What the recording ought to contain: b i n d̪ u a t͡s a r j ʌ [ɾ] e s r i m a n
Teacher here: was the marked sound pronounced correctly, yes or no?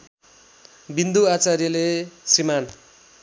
no